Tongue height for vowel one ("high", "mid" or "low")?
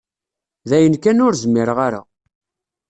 low